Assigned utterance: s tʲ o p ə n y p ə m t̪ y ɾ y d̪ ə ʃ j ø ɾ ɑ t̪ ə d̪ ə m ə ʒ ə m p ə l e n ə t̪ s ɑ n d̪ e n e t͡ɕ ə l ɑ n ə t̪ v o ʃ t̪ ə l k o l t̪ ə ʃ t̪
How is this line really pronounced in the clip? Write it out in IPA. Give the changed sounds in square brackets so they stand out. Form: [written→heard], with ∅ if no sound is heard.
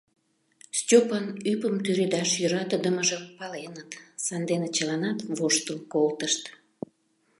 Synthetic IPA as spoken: s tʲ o p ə n y p ə m t̪ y ɾ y d̪ [ə→ɑ] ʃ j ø ɾ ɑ t̪ ə d̪ ə m ə ʒ ə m p [ə→ɑ] l e n ə t̪ s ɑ n d̪ e n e t͡ɕ ə l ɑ n [ə→ɑ] t̪ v o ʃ t̪ ə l k o l t̪ ə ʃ t̪

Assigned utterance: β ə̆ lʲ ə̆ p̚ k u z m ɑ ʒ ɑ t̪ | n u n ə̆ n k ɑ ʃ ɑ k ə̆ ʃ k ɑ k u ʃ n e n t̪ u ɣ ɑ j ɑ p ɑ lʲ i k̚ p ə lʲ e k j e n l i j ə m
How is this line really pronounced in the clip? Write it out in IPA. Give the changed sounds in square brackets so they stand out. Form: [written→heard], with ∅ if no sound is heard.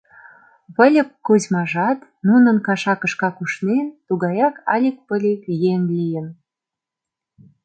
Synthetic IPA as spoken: β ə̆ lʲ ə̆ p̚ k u z m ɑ ʒ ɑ t̪ | n u n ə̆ n k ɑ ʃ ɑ k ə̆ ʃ k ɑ k u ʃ n e n t̪ u ɣ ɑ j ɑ [p→k] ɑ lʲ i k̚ p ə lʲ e k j e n l i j ə [m→n]

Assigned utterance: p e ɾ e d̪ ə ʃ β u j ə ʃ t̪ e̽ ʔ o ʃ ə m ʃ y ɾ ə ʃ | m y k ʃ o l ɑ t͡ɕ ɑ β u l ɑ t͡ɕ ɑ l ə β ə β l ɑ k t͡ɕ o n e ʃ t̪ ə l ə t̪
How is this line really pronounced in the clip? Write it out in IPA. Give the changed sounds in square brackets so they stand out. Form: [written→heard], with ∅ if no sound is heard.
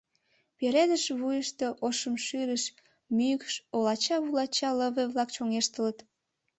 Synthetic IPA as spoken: p e ɾ e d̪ ə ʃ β u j ə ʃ t̪ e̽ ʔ o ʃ ə m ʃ y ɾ ə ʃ | m y k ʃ o l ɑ t͡ɕ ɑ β u l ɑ t͡ɕ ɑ l ə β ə β l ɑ k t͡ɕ o [n→ŋ] e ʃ t̪ ə l ə t̪

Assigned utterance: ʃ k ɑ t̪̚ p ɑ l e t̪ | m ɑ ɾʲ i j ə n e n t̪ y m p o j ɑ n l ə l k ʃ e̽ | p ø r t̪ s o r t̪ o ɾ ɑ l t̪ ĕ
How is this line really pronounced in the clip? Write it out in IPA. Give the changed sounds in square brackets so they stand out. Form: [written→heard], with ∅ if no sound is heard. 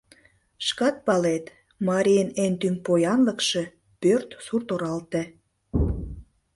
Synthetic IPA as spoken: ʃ k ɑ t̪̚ p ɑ l e t̪ | m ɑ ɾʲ i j ə n e n t̪ y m p o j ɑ n l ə [l→∅] k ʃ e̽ | p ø r t̪ s [o→u] r t̪ o ɾ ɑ l t̪ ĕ

